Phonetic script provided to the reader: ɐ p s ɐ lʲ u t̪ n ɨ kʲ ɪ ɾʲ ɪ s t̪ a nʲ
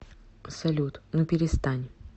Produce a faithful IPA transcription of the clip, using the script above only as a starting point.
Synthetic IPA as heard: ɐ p s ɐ lʲ u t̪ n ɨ pʲ ɪ ɾʲ ɪ s t̪ a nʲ